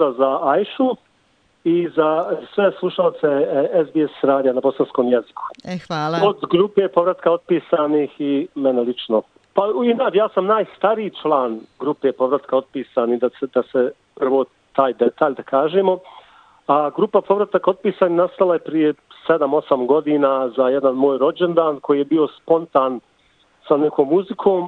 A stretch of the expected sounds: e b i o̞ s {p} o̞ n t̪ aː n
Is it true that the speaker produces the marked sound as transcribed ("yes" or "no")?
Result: yes